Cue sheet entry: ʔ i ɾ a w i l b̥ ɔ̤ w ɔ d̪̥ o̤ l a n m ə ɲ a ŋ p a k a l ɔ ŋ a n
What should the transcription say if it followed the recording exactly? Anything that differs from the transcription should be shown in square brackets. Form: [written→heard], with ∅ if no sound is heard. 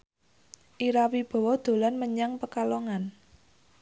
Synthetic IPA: ʔ i ɾ a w i [l→∅] b̥ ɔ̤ w ɔ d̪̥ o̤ l a n m ə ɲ a ŋ p [a→ə] k a l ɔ ŋ a n